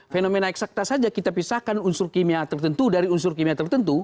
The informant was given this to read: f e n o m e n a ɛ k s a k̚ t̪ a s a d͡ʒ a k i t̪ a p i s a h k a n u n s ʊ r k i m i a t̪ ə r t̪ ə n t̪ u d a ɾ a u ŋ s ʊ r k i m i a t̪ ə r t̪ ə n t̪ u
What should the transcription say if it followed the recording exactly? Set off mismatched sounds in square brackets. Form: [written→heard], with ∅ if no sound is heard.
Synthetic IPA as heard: f e n o m e n a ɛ k s a k̚ t̪ a s a d͡ʒ a k i t̪ a p i s a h k a n u n s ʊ r k i m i a t̪ ə r t̪ ə n t̪ u d a ɾ [a→i] u [ŋ→n] s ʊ r k i m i a t̪ ə r t̪ ə n t̪ u